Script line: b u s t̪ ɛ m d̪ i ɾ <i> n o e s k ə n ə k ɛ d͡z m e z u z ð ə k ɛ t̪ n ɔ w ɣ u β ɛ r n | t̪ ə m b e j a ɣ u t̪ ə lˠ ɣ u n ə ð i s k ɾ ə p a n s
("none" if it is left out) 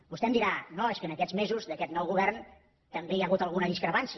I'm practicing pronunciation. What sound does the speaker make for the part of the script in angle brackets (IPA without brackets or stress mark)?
a